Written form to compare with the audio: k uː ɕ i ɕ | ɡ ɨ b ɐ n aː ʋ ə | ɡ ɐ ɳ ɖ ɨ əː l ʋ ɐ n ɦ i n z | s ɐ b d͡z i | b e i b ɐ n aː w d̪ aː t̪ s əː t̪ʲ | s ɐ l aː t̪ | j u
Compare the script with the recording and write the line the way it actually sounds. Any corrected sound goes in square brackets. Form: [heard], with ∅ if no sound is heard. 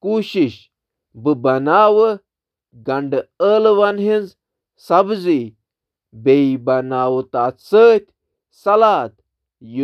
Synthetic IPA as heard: k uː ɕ i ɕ | [b] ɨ b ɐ n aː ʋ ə | ɡ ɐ ɳ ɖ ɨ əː l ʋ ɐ n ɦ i n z | s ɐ b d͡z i | b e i b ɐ n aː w [t̪] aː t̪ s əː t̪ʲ | s ɐ l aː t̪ | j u